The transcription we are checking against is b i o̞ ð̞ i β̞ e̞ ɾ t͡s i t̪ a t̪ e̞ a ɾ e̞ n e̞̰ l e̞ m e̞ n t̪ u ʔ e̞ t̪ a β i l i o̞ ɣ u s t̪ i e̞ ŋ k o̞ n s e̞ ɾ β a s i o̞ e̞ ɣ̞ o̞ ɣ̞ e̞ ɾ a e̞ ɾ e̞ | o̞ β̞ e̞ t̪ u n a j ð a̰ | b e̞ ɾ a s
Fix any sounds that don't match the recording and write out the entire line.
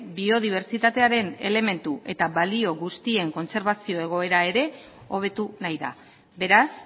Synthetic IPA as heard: b i o̞ ð̞ i β̞ e̞ ɾ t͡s i t̪ a t̪ e̞ a ɾ e̞ n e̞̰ l e̞ m e̞ n t̪ u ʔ e̞ t̪ a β a l i o̞ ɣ u s t̪ i e̞ ŋ k o̞ n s e̞ ɾ β a s i o̞ e̞ ɣ̞ o̞ e̞ ɾ a e̞ ɾ e̞ | o̞ β̞ e̞ t̪ u n a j ð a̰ | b e̞ ɾ a s